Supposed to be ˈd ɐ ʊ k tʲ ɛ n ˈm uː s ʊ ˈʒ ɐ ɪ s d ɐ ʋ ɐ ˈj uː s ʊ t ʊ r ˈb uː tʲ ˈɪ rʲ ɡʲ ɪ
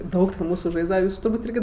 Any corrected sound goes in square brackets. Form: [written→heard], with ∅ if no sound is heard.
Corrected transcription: ˈd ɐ ʊ k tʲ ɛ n ˈm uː s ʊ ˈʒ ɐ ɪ [s→z] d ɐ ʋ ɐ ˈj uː s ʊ t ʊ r ˈb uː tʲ ˈɪ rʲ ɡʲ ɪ